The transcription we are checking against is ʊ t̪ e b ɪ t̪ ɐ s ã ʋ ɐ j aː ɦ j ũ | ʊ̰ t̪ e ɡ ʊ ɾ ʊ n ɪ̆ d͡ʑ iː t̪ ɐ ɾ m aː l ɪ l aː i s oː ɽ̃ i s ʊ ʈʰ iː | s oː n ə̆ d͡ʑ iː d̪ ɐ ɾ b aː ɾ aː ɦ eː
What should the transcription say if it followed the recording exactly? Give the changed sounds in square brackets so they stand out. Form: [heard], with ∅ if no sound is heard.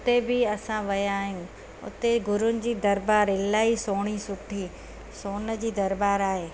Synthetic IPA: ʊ t̪ e b ɪ [∅] ɐ s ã ʋ ɐ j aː ɦ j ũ | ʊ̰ t̪ e ɡ ʊ ɾ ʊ n ɪ̆ d͡ʑ iː [d̪] ɐ ɾ [b] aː [ɾ] ɪ l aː i s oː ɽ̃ i s ʊ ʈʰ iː | s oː n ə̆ d͡ʑ iː d̪ ɐ ɾ b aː ɾ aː ɦ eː